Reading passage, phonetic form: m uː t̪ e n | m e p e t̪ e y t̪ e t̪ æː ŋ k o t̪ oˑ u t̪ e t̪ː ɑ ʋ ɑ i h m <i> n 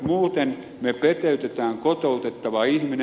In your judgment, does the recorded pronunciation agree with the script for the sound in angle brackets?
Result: yes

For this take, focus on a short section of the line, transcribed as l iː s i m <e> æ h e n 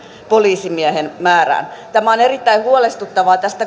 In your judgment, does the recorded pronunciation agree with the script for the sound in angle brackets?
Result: no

